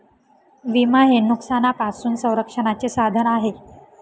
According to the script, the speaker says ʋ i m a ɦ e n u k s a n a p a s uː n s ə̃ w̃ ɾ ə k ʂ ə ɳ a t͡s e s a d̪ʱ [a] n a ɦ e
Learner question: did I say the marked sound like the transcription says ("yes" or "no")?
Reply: no